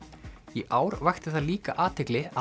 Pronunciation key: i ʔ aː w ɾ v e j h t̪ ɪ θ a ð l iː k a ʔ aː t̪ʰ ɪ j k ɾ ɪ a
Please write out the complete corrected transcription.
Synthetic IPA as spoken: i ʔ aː w ɾ v a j x t̪ ɪ θ a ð l iː k a ʔ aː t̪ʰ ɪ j k l ɪ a

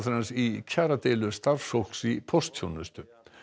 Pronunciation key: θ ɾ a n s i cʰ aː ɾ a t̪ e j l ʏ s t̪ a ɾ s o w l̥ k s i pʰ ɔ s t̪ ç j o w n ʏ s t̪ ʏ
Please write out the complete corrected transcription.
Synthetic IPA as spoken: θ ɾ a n s i cʰ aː ɾ a t̪ e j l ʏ s t̪ a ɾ s o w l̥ k s i pʰ ɔ s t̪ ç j o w n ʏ s t̪ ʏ

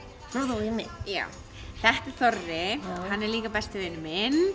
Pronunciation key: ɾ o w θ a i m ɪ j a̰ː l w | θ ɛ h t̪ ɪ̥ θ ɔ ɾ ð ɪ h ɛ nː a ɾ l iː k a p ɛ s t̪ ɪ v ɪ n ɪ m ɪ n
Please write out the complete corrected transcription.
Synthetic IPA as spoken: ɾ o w ð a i m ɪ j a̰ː w | θ ɛ h t̪ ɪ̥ θ ɔ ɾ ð ɪ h a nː ɛ ɾ l iː k a p ɛ s t̪ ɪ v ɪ n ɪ m ɪ n

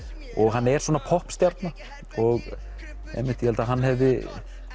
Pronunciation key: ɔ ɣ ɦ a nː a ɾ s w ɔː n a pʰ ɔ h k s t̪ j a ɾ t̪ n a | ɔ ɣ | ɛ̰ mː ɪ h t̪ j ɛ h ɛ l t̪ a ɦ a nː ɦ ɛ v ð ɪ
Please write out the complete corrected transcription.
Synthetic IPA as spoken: ɔ ɣ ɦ a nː ɛ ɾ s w ɔː n a pʰ ɔ h p s t̪ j a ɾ t̪ n a | ɔ ɣ | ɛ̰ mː ɪ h t̪ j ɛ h ɛ l t̪ a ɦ a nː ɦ ɛ v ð ɪ

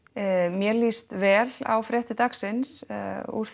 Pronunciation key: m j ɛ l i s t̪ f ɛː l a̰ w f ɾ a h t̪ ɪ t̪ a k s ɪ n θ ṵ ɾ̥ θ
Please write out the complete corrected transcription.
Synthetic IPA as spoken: m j ɛ l i s t̪ v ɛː l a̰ w f ɾ ɛ h t̪ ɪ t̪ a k s ɪ n s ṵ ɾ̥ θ

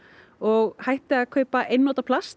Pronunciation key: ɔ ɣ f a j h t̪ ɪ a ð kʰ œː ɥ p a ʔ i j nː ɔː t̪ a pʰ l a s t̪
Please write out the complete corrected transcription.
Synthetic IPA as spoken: ɔ ɣ h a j h t̪ ɪ a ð kʰ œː ɥ p a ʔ e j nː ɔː t̪ a pʰ l a s t̪

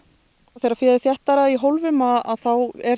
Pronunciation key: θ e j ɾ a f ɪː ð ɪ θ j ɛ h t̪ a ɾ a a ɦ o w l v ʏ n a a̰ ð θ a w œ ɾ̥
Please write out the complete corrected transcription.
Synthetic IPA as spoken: θ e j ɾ a f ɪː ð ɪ θ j ɛ h t̪ a ɾ a i ɦ o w l v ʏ m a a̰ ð θ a w ɛ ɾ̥

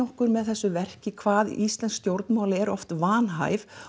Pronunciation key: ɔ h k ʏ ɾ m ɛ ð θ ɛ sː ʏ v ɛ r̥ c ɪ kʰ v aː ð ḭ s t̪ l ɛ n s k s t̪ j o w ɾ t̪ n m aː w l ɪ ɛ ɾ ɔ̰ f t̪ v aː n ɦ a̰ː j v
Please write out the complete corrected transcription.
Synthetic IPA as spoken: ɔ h k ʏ ɾ m ɛ ð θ ɛ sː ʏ v ɛ r̥ c ɪ kʰ v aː ð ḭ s t̪ l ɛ n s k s t̪ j o w ɾ t̪ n m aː w l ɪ ɛ ɾ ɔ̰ f t̪ v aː n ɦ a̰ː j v

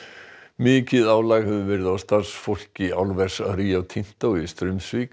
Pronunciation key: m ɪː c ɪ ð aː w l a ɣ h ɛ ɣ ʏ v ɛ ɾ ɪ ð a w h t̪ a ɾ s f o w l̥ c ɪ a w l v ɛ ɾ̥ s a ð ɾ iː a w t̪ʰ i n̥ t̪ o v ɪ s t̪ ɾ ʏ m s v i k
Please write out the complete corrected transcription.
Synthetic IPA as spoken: m ɪː c ɪ ð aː w l a ɣ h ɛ v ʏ v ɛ ɾ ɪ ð a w s t̪ a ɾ s f o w l̥ c ɪ a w l v ɛ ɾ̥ s a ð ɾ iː a w t̪ʰ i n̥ t̪ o w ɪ s t̪ ɾ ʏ m s v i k

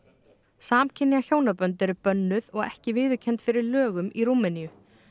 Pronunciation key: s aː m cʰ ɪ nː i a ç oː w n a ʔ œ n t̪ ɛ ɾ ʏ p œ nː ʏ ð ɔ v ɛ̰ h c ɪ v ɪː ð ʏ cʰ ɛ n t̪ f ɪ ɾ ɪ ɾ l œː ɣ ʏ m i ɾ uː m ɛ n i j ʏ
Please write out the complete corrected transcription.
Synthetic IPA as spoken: s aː m cʰ ɪ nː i a ç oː w n a p œ n t̪ ɛ ɾ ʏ p œ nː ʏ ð ɔ ɣ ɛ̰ h c ɪ v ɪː ð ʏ cʰ ɛ n t̪ f ɪ ɾ ɪ ɾ l œː ɣ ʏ m i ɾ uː m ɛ n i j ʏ

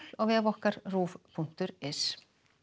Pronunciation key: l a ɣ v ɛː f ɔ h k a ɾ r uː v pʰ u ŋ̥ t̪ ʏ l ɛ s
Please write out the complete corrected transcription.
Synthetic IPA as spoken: l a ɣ v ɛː v ɔ h k a ɾ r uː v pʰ u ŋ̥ t̪ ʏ ɾ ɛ s

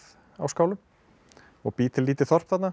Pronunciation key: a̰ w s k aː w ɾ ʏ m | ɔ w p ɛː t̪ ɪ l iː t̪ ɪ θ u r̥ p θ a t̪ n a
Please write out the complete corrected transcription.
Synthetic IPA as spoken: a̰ w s k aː w l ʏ m | ɔ ɣ p iː t̪ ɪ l iː t̪ ɪ θ ɔ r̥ p θ a t̪ n a

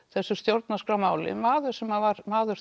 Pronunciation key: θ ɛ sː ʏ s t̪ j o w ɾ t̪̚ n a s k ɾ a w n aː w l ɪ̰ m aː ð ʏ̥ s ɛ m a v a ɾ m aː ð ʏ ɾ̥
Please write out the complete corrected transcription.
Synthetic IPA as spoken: θ ɛ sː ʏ s t̪ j o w ɾ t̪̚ n a s k ɾ a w m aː w l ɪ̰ m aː ð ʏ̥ s ɛ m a v a ɾ m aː ð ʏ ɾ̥

